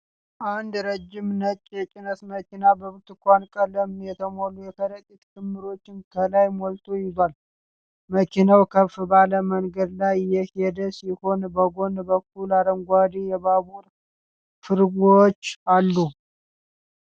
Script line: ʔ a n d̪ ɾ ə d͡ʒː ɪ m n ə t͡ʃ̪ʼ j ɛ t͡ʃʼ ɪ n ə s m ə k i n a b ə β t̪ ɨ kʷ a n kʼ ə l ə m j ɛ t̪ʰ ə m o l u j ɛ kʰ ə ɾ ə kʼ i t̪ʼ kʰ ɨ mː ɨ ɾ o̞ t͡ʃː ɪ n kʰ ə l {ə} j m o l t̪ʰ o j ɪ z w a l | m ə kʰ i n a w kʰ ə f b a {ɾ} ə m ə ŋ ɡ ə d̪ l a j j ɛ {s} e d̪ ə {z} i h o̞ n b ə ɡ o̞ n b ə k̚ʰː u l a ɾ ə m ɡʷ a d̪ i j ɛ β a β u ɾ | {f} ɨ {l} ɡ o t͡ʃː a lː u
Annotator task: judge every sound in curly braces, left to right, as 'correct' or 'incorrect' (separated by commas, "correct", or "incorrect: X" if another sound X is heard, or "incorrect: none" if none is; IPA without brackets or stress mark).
incorrect: a, incorrect: l, incorrect: h, incorrect: s, correct, incorrect: ɾ